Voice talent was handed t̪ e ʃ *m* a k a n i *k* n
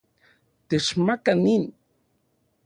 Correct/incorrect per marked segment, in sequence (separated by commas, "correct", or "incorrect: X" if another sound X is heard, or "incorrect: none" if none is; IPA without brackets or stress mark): correct, incorrect: none